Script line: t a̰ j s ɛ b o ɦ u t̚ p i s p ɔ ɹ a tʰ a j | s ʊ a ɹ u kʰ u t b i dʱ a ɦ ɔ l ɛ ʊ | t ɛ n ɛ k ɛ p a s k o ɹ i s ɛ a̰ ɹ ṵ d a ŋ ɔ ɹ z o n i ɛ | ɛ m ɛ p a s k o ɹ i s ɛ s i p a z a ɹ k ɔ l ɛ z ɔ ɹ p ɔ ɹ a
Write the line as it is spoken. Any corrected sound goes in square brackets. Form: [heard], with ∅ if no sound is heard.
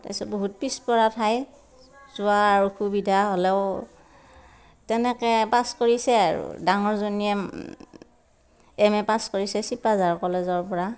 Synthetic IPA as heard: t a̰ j s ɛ b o ɦ u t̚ p i s p ɔ ɹ a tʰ a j | [z] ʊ a ɹ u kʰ u [∅] b i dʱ a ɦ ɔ l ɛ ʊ | t ɛ n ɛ k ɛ p a s k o ɹ i s ɛ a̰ ɹ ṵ d a ŋ ɔ ɹ z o n i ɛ | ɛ m ɛ p a s k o ɹ i s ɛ s i p a z a ɹ k ɔ l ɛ z ɔ ɹ p ɔ ɹ a